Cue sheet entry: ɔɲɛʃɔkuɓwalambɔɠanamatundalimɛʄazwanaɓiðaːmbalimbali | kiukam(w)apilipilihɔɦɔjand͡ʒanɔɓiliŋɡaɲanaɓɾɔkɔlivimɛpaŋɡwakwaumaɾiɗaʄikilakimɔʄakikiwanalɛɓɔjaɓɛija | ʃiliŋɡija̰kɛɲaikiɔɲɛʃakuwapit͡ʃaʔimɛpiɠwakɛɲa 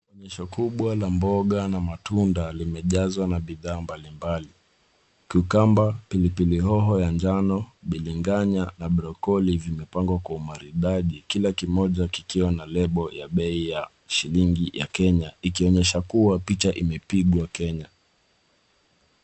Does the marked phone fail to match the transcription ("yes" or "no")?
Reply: yes